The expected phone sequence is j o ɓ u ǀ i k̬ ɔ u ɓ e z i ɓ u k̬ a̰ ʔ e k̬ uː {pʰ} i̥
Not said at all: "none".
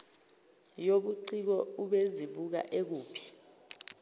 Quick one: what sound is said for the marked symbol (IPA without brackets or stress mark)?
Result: pʰ